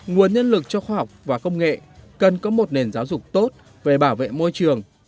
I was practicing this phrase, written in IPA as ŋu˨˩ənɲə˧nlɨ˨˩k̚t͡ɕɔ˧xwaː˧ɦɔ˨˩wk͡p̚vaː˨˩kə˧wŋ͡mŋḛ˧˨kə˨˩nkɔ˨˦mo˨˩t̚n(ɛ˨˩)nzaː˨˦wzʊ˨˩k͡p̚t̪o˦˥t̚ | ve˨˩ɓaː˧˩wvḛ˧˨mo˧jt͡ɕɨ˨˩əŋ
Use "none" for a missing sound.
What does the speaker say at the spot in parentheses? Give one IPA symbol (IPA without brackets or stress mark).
e˨˩